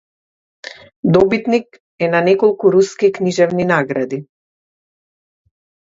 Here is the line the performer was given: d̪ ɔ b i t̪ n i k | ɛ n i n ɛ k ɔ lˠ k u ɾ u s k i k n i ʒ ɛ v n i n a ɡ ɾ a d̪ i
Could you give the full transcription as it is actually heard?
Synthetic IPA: d̪ ɔ b i t̪ n i k | ɛ n a n ɛ k ɔ lˠ k u ɾ u s k i k n i ʒ ɛ v n i n a ɡ ɾ a d̪ i